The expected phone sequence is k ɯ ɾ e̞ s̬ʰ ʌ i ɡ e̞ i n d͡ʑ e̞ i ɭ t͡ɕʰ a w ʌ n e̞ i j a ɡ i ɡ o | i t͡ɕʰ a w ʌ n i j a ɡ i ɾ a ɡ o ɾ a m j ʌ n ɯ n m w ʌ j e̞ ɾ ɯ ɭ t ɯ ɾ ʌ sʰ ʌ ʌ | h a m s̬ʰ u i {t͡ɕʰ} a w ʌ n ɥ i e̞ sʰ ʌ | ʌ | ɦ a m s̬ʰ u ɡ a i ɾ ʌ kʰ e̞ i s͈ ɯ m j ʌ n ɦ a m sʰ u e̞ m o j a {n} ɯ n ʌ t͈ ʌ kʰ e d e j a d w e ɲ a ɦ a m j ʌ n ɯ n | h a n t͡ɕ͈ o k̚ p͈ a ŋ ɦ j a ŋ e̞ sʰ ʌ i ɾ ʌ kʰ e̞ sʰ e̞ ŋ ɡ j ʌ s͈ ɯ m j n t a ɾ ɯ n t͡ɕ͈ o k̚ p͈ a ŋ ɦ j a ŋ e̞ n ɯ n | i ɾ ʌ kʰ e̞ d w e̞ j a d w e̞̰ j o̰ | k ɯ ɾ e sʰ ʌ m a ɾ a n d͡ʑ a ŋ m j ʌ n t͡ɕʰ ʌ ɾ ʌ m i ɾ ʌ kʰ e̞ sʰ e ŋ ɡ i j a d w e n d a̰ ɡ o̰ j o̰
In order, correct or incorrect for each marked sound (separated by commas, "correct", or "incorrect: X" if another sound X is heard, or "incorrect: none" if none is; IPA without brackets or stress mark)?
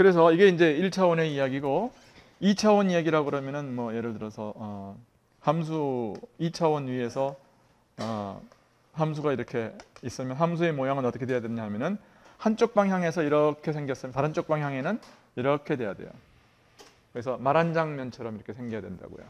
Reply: correct, incorrect: ŋ